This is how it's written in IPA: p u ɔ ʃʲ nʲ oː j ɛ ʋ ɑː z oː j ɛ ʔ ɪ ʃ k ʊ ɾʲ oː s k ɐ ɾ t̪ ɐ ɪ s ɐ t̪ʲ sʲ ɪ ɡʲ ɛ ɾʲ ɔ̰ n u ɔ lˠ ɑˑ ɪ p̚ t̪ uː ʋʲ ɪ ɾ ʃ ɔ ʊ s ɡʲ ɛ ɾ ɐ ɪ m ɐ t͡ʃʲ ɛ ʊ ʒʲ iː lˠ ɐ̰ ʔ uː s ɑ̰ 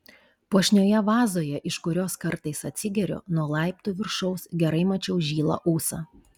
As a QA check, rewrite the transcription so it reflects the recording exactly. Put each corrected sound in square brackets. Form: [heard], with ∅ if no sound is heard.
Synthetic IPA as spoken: p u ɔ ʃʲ nʲ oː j ɛ ʋ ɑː z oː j ɛ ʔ ɪ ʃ k ʊ ɾʲ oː s k ɐ ɾ t̪ ɐ ɪ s ɐ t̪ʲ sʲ ɪ ɡʲ ɛ ɾʲ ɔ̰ n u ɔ lˠ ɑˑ ɪ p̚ t̪ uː ʋʲ ɪ ɾ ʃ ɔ ʊ s ɡʲ ɛ ɾ ɐ ɪ m ɐ t͡ʃʲ ɛ ʊ ʒʲ iː lˠ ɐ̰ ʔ uː s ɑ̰